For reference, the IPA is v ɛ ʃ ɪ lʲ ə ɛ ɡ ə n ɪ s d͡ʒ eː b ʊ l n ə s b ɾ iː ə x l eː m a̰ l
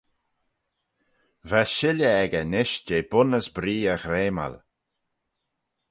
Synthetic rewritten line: v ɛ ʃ ɪ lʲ ə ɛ ɡ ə n ɪ ʃ d͡ʒ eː b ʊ n ə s b ɾ iː ə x ɾ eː m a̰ l